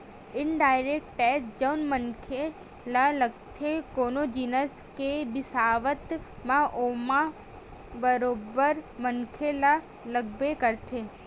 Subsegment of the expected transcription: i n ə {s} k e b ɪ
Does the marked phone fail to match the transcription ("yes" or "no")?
no